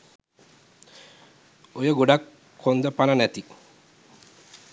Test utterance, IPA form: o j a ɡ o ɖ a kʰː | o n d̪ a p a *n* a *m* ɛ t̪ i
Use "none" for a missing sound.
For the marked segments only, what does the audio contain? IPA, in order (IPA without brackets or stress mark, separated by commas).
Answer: n, n